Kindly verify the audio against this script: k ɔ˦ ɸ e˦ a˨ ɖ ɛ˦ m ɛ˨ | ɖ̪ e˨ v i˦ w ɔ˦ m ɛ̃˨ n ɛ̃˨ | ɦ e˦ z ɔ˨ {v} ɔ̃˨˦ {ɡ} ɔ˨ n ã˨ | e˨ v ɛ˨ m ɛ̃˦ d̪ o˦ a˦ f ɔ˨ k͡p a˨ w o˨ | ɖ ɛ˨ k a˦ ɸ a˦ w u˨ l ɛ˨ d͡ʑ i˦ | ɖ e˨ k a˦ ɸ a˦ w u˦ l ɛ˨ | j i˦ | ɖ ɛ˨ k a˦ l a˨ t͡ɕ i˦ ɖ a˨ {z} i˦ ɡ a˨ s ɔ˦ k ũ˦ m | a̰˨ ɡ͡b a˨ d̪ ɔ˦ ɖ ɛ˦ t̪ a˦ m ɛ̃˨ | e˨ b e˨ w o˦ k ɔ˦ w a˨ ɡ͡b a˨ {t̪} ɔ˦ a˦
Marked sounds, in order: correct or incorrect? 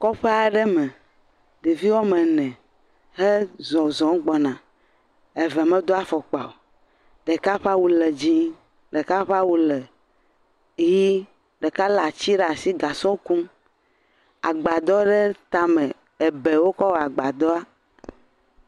incorrect: z, incorrect: ɡ͡b, incorrect: s, incorrect: d̪

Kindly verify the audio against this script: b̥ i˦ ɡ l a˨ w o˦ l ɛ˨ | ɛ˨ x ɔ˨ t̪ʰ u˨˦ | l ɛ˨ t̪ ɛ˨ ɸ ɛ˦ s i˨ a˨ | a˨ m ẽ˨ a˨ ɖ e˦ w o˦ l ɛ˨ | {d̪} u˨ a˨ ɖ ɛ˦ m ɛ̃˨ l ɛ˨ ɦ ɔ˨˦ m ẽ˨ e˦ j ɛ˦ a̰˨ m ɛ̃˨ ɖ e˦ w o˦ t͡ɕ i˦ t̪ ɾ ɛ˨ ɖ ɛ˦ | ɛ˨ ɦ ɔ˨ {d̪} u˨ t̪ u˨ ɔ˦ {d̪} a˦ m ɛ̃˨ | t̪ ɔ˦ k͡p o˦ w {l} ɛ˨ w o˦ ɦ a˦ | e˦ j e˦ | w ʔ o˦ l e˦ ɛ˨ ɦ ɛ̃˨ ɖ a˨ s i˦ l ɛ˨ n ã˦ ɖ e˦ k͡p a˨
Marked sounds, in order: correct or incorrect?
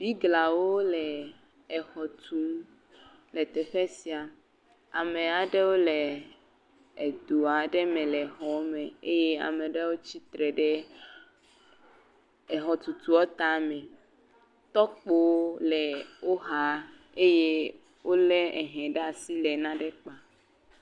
correct, incorrect: t̪, incorrect: t̪, correct

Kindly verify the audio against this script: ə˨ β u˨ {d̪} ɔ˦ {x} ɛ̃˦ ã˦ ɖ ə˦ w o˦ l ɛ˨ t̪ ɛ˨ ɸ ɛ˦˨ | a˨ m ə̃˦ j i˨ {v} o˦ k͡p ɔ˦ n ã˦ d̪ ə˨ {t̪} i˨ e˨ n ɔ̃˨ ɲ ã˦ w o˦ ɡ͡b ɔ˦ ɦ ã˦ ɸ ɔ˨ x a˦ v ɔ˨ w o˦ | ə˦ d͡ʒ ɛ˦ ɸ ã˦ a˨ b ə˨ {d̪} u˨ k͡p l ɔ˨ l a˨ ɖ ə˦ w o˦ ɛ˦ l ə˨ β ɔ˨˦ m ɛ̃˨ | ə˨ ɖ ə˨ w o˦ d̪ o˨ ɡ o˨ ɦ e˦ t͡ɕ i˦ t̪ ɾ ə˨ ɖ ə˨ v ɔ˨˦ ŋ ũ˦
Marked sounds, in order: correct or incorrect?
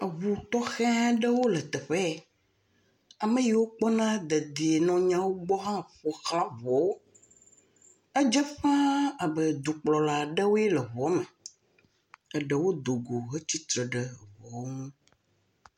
incorrect: t̪, correct, incorrect: w, incorrect: d̪, correct

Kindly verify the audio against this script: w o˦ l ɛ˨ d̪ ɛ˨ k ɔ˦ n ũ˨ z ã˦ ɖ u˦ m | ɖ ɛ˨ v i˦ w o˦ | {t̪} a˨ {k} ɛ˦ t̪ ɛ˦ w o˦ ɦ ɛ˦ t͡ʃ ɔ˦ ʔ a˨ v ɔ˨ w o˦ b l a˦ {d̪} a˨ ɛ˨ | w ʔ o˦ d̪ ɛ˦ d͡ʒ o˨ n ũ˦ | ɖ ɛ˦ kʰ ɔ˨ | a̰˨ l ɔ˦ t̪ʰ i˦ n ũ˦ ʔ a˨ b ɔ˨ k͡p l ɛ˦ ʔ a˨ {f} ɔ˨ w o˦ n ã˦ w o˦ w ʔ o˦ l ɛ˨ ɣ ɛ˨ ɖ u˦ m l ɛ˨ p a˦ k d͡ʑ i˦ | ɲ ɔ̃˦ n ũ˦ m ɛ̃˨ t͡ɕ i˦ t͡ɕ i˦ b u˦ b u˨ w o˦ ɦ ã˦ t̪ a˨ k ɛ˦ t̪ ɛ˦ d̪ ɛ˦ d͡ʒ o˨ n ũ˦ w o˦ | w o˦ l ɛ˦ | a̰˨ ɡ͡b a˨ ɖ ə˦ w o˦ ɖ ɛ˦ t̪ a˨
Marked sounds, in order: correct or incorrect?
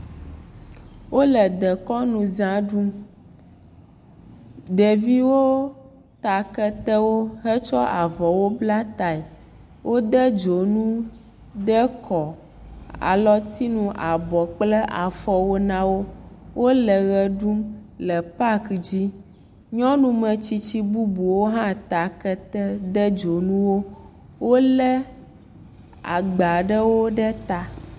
correct, correct, incorrect: t̪, correct

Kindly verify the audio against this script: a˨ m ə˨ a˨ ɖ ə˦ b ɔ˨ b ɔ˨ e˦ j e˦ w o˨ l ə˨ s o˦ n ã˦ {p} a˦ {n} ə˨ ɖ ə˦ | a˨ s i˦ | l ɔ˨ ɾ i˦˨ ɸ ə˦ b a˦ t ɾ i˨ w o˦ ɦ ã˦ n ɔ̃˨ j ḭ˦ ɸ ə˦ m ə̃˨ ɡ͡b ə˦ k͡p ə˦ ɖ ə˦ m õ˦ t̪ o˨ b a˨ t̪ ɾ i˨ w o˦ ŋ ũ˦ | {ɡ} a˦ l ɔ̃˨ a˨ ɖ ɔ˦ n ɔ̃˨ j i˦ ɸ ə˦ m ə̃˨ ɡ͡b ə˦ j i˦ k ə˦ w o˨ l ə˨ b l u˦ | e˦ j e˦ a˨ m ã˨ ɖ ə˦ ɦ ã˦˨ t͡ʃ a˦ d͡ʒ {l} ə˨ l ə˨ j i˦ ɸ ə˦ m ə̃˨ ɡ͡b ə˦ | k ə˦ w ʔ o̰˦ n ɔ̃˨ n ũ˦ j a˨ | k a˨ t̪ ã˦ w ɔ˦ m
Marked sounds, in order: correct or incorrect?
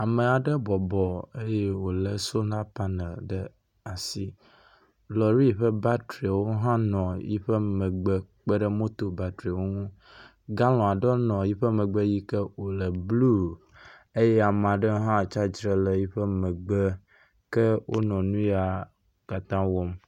correct, correct, correct, incorrect: ɾ

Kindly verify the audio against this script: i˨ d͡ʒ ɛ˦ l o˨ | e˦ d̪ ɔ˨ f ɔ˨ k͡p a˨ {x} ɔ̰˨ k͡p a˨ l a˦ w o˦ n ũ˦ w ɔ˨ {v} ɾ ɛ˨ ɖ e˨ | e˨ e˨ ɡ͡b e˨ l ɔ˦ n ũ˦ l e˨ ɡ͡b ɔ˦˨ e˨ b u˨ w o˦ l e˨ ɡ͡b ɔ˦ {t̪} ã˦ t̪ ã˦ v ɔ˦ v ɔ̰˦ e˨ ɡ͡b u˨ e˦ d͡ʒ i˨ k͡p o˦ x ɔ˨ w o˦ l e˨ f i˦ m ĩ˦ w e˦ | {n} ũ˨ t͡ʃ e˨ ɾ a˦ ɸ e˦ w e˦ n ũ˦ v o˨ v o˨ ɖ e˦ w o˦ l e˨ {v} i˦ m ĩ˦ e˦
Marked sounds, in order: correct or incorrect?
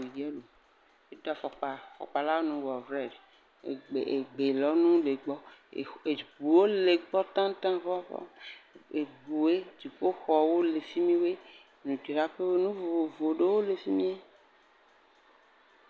incorrect: f, correct, correct, correct, incorrect: f

